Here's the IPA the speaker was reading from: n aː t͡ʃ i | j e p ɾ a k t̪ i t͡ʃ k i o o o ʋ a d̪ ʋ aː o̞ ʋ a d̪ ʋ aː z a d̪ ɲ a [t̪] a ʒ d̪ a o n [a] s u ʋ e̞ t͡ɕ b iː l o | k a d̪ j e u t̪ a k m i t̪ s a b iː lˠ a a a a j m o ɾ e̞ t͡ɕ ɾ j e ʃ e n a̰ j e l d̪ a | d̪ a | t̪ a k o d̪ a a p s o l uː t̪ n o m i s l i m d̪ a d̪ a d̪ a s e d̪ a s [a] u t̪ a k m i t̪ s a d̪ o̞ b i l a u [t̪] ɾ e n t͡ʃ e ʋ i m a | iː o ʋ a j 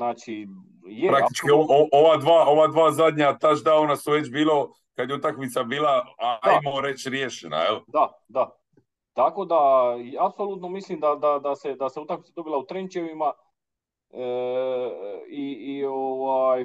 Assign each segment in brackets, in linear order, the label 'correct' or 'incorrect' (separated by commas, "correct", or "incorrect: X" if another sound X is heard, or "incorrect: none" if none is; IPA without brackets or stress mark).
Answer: correct, correct, incorrect: e, correct